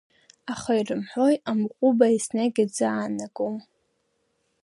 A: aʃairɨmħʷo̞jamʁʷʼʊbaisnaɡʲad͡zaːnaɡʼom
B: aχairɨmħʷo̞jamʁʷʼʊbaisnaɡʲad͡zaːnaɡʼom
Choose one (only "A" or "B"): B